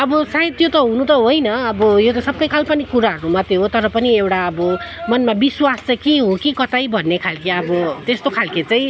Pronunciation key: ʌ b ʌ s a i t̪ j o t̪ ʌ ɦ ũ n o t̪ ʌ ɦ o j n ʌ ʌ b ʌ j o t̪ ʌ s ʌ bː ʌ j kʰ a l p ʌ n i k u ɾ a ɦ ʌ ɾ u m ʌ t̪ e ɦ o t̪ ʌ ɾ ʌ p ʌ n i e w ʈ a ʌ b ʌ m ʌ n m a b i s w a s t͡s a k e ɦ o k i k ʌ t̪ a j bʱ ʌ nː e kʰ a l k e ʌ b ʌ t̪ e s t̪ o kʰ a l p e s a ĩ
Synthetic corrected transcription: ʌ b ʌ s a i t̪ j o t̪ ʌ ɦ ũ n u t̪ ʌ ɦ o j n ʌ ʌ b ʌ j o t̪ ʌ s ʌ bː ʌ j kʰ a l p ʌ n i k u ɾ a ɦ ʌ ɾ u m ʌ t̪ e ɦ o t̪ ʌ ɾ ʌ p ʌ n i e w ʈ a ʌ b ʌ m ʌ n m a b i s w a s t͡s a k e ɦ o k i k ʌ t̪ a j bʱ ʌ nː e kʰ a l k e ʌ b ʌ t̪ e s t̪ o kʰ a l k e t͡s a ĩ